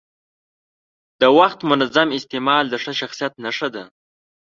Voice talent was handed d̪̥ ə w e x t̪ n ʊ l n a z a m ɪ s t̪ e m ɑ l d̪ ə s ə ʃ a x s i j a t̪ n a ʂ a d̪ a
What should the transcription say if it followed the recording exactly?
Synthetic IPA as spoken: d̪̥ ə w a x t̪ m ʊ n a z a m ɪ s t̪ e m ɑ l d̪ ə ʂ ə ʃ a x s i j a t̪ n a ʂ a d̪ a